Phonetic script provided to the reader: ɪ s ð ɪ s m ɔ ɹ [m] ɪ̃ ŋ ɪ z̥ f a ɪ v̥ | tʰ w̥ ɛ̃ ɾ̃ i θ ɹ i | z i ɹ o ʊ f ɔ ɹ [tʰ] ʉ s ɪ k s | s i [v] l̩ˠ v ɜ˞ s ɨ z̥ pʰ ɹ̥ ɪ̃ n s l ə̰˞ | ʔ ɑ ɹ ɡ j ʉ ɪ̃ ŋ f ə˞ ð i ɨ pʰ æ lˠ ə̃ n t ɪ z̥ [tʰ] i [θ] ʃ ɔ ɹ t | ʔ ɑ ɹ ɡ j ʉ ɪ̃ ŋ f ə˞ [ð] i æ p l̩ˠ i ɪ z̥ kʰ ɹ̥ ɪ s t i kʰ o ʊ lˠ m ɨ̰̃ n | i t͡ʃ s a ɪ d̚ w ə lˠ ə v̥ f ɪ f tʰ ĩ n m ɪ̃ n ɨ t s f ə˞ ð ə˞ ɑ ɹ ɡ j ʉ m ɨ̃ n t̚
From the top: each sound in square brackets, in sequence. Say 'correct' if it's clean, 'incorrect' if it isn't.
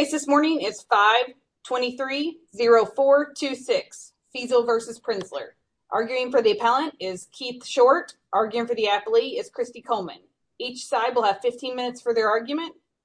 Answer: incorrect: n, correct, incorrect: z, incorrect: kʰ, correct, correct

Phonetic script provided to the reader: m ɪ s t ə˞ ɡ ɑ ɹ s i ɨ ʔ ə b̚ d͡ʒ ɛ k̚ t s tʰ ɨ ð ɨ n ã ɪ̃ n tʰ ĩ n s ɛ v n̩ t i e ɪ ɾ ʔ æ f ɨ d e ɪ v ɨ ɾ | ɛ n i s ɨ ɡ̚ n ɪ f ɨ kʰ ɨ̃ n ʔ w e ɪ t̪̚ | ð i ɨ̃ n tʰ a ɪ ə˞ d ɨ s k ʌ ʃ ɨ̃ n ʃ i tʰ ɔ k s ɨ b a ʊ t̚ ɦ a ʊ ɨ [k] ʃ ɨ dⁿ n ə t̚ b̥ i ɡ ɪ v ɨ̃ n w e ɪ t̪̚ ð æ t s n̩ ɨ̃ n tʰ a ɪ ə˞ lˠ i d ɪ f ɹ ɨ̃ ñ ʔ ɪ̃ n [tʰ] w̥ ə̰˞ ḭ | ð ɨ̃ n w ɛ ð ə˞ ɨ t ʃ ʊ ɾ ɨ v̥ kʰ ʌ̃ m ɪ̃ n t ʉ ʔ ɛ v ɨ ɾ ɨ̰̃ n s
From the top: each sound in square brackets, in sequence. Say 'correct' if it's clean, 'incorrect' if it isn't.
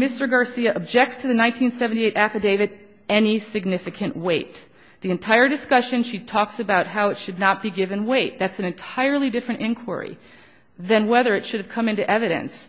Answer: incorrect: t, incorrect: kʰ

